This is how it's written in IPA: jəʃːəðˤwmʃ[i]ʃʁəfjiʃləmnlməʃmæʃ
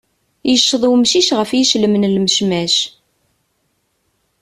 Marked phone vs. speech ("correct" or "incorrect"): correct